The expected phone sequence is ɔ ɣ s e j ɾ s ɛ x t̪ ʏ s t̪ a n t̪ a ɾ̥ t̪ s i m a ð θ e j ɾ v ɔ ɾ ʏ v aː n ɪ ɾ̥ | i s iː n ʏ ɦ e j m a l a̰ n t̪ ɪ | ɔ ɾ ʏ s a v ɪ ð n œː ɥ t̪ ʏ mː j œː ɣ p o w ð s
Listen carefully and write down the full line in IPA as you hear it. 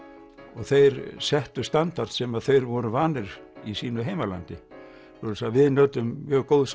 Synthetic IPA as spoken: ɔ ɣ θ e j ɾ s ɛ h t̪ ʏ s t̪ a n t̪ a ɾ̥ t̪ s ɛ m a ð θ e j ɾ v ɔ ɾ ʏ v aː n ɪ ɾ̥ | i s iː n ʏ ɦ e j m a l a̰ n t̪ ɪ | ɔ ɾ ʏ s a v ɪ ð n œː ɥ t̪ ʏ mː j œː ɣ k o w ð s

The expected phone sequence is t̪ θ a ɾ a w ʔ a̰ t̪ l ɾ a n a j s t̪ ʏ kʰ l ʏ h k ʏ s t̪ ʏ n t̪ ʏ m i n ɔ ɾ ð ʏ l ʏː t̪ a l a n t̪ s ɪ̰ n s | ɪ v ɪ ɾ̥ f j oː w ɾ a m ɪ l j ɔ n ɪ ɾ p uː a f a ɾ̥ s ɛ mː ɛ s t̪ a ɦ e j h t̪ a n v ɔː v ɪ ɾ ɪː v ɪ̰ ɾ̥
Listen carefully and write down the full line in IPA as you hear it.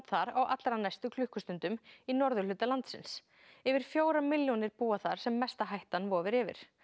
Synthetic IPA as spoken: t̪ θ a ɾ a w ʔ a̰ t̪ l ɾ a n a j s t̪ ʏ kʰ l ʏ h k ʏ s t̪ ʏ n t̪ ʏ m i n ɔ ɾ ð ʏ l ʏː t̪ a l a n t̪ s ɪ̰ n s | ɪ v ɪ ɾ̥ f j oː w ɾ a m ɪ l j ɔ n ɪ ɾ p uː a θ a ɾ̥ s ɛ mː ɛ s t̪ a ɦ a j h t̪ a n v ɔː v ɪ ɾ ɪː v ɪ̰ ɾ̥

